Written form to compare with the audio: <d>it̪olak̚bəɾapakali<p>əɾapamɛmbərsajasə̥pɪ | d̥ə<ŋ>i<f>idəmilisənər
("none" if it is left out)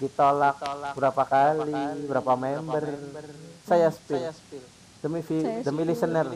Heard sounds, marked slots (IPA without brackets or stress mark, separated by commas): d, b, m, f